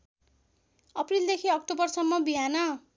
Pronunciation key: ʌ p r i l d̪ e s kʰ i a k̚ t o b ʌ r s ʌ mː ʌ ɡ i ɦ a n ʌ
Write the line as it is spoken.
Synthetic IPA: ʌ p r i l d̪ e kʰ i ʌ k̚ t o b ʌ r s ʌ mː ʌ b i ɦ a n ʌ